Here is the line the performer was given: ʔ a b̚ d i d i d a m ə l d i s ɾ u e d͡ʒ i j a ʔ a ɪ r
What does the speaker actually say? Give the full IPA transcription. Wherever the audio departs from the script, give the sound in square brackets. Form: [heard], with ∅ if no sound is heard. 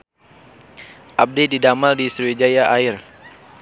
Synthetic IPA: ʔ a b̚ d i d i d a m [a] l d i s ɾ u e d͡ʒ [a] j a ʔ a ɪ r